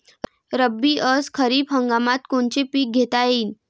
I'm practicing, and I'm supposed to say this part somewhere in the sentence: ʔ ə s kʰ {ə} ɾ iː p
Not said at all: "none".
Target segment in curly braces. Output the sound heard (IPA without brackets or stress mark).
ə